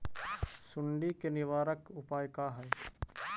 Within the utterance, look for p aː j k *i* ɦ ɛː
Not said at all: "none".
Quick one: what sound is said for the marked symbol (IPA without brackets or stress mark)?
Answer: a